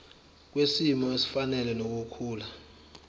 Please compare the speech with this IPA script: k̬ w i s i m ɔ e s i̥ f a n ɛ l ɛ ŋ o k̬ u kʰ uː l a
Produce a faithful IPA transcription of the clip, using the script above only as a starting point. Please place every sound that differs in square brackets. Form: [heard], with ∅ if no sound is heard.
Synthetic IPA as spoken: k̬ w [e] s i m ɔ e s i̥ f a n ɛ l ɛ [n] o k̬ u kʰ uː l a